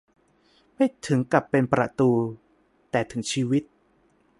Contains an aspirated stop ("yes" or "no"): yes